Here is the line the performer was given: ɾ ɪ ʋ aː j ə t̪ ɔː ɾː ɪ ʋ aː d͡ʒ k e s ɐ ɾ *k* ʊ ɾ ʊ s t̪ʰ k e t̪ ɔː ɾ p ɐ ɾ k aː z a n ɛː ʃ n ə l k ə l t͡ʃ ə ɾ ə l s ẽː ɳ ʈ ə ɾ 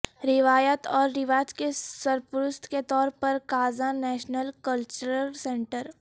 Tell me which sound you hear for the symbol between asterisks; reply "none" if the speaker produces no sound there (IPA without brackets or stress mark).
p